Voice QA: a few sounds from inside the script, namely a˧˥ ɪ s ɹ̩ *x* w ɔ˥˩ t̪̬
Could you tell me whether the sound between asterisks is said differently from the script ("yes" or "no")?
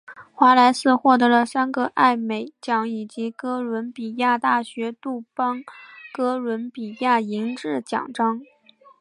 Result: no